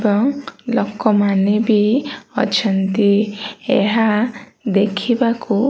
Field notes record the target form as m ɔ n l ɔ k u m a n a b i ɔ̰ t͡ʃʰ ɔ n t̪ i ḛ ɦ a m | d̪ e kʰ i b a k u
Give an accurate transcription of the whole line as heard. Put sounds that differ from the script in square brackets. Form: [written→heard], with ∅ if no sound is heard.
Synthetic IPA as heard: [m→b] ɔ [n→ŋ] l ɔ k [u→ɔ] m a n [a→e] b i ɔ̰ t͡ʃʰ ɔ n t̪ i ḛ ɦ a [m→∅] | d̪ e kʰ i b a k u

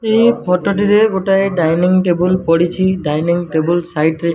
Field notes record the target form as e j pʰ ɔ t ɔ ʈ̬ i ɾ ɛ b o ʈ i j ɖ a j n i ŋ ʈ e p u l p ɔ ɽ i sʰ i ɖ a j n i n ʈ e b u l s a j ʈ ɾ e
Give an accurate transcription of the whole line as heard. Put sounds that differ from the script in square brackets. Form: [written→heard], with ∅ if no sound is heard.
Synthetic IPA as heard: e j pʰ ɔ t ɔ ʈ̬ i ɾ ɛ [b→ɡ] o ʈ [i→a] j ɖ a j n i ŋ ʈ e [p→b] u l p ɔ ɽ i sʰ i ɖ a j n i [n→ŋ] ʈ e b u l s a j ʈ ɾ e

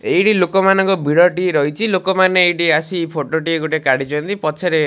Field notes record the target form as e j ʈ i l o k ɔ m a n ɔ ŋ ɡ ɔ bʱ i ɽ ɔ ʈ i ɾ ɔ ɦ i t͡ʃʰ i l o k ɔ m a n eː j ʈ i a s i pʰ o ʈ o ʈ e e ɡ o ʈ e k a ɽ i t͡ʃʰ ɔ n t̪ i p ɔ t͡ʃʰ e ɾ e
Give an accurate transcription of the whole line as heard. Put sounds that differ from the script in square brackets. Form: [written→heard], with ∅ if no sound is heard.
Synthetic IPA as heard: e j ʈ i l o k ɔ m a n ɔ ŋ [ɡ→k] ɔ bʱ i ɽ ɔ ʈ i ɾ ɔ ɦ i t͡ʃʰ i l o k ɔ m a n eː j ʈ i a s i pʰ o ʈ o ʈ [e→i] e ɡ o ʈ e k a ɽ i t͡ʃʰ ɔ n t̪ i p ɔ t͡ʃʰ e ɾ e

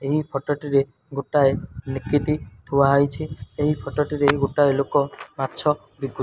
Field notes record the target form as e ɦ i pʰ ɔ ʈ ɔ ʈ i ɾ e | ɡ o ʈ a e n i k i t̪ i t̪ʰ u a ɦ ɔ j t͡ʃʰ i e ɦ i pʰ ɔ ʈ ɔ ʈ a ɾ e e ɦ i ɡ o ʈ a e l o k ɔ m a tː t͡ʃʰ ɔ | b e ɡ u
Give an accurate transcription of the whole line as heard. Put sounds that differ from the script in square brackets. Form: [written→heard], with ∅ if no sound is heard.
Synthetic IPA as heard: e ɦ i pʰ ɔ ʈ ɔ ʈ i ɾ e | ɡ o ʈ a e n i k i t̪ i t̪ʰ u a ɦ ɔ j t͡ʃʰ i e ɦ i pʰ ɔ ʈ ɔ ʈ [a→i] ɾ e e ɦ i ɡ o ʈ a e l o k ɔ m a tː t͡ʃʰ ɔ | b [e→i] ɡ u

